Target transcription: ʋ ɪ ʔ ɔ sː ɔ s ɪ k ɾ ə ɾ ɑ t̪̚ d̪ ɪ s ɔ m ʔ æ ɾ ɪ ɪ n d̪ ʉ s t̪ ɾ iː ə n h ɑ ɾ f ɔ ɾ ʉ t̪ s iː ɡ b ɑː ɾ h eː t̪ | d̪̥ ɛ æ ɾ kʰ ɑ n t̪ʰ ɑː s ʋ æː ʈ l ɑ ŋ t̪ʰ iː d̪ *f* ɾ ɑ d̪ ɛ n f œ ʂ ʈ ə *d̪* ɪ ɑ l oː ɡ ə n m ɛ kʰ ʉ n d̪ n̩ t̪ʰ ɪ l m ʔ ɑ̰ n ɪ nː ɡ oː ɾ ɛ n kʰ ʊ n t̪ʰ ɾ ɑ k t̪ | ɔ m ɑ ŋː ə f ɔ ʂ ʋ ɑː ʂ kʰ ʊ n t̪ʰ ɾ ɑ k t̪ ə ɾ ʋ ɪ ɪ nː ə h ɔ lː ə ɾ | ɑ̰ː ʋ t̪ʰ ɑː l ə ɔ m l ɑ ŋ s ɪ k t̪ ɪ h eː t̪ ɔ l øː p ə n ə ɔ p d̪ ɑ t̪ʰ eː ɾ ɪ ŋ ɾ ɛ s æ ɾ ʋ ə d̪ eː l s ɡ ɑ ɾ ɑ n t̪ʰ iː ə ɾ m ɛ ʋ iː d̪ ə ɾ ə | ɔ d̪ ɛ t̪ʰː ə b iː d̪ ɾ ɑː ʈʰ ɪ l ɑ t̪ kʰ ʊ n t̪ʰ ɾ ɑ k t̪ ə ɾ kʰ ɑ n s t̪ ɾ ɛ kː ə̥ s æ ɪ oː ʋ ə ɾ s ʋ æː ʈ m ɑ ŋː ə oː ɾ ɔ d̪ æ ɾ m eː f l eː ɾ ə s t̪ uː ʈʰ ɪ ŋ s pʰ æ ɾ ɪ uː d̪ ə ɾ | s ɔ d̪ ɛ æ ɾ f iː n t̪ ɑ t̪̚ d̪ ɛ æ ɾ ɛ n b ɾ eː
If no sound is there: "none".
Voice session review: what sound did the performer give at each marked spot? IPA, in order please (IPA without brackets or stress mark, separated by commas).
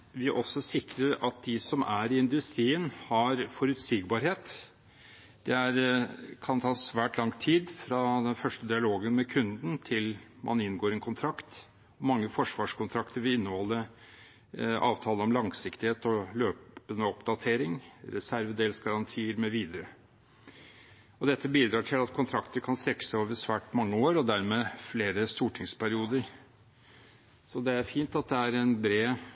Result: f, d̪